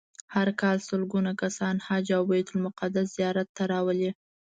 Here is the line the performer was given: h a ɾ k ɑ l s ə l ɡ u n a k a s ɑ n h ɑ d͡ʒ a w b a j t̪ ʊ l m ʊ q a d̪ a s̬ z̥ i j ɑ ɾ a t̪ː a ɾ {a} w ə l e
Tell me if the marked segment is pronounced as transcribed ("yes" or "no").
no